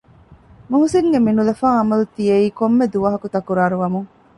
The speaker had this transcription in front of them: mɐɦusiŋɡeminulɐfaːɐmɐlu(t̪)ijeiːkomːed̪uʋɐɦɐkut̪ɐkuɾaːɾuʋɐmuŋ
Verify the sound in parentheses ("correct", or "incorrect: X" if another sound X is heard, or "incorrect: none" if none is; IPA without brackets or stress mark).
correct